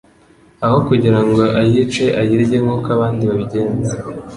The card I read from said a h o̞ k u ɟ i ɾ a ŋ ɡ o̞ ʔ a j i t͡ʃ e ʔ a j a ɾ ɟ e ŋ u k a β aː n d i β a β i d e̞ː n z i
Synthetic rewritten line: a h o̞ k u ɟ i ɾ a ŋ ɡ o̞ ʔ a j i t͡ʃ e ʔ a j i ɾ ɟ e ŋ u k a β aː n d i β a β i ɟ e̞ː n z e